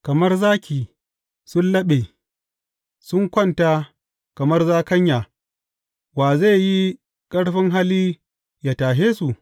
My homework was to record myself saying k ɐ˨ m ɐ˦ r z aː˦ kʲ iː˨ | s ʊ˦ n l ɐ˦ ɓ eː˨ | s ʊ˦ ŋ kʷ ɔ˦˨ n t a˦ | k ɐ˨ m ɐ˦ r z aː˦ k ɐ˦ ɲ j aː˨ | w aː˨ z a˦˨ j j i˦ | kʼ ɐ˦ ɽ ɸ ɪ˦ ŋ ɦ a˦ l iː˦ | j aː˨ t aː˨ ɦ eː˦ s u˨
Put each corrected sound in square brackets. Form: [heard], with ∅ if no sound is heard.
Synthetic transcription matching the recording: k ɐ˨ m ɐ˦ r z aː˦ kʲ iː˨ | s ʊ˦ n l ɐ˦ ɓ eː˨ | s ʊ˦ ŋ kʷ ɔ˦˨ n t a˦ | k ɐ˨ m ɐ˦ r z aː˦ k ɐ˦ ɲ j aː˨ | w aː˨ z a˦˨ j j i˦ | kʼ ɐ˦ ɽ ɸ ɪ˦ ŋ ɦ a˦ l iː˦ | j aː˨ t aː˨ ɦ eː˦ s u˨

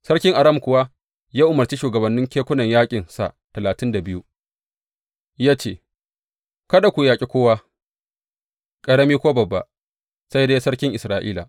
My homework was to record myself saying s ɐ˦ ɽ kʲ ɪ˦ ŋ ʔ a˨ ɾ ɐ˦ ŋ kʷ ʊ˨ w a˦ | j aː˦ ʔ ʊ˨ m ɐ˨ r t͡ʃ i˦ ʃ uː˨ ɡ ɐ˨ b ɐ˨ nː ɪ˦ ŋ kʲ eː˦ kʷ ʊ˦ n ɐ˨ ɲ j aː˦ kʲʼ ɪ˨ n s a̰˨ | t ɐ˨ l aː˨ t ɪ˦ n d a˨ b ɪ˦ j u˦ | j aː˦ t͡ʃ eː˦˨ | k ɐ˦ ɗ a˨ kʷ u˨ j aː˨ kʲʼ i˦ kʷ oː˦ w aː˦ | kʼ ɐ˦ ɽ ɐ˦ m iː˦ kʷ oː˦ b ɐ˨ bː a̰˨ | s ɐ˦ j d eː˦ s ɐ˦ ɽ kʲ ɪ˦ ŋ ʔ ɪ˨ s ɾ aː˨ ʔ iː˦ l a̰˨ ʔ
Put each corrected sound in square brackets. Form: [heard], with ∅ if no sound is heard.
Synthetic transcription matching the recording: s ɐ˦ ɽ kʲ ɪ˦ ŋ ʔ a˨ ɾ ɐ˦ [m] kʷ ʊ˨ w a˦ | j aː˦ ʔ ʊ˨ m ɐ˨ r t͡ʃ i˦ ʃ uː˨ ɡ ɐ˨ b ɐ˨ nː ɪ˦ ŋ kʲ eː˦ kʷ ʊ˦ n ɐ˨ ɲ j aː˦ kʲʼ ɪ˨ n s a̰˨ | t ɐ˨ l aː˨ t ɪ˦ n d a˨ b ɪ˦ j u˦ | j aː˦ t͡ʃ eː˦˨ | k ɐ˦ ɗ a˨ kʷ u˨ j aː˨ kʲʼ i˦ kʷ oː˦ w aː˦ | kʼ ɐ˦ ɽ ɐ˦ m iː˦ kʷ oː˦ b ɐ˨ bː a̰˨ | s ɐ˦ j d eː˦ s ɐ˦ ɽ kʲ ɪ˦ ŋ ʔ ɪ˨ s ɾ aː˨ ʔ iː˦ l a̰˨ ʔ

